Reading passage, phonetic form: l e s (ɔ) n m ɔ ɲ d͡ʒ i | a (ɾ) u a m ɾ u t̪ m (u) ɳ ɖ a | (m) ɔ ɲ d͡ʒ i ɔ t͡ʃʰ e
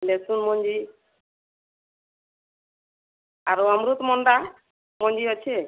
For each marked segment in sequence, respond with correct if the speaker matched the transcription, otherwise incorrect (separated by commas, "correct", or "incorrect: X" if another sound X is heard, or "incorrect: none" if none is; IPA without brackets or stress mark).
incorrect: u, correct, incorrect: ɔ, correct